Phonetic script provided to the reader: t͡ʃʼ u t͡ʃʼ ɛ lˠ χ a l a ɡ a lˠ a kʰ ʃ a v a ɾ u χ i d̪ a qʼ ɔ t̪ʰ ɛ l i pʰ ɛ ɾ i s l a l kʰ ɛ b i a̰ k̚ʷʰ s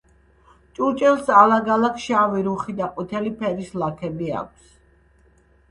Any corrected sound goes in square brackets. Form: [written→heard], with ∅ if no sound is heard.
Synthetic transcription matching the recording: t͡ʃʼ u t͡ʃʼ ɛ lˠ [χ→s] a l a ɡ a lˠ a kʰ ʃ a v [a→i] ɾ u χ i d̪ a qʼ [ɔ→u] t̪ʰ ɛ l i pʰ ɛ ɾ i s l a [l→∅] kʰ ɛ b i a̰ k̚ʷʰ s